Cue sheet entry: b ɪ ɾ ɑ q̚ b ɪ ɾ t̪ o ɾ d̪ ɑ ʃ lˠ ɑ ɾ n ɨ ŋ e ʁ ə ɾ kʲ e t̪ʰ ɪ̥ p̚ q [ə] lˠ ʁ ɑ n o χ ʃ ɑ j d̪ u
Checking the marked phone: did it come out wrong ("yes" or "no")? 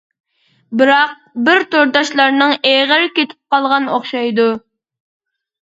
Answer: yes